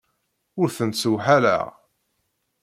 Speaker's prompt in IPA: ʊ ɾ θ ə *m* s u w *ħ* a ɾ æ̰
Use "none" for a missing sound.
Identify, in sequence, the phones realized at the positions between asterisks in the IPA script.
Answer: n, ħ

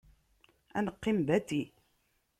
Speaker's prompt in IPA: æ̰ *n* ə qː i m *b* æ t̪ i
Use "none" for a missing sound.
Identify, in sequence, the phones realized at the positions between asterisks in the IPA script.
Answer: n, b

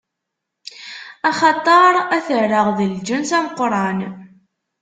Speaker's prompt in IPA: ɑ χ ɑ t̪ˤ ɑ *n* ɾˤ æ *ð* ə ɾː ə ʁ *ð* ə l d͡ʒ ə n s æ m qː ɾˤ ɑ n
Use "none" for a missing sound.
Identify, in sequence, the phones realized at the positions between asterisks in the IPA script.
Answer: none, θ, ð

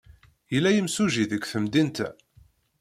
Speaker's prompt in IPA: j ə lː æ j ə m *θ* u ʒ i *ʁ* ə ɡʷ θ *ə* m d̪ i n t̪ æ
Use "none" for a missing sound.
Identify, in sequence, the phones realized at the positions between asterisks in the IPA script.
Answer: s, ð, ə

